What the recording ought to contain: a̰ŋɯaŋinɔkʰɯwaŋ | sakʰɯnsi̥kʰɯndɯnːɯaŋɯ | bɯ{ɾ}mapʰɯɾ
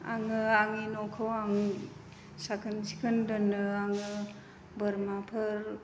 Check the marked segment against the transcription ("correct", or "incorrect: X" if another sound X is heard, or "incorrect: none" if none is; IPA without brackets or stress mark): correct